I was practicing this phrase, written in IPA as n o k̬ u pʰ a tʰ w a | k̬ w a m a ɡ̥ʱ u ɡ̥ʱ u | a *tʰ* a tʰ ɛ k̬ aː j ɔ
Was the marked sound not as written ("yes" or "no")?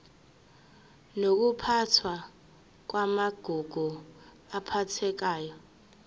yes